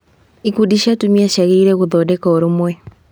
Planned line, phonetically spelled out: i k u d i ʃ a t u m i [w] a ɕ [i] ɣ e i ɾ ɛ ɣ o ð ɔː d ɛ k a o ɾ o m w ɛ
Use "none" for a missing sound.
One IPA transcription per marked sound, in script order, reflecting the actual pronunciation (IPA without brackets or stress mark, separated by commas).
none, a